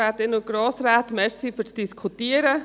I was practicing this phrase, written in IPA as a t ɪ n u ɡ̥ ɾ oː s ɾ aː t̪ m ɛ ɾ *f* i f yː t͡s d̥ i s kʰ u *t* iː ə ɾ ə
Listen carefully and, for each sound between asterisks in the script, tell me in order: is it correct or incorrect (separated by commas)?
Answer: incorrect, correct